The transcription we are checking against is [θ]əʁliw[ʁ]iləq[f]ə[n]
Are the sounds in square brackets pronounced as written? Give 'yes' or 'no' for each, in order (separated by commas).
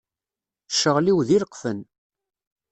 no, no, yes, yes